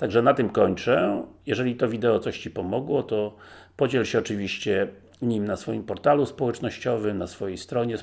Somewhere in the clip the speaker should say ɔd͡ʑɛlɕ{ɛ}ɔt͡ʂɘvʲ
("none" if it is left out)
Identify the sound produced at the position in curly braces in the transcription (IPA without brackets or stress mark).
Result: ɛ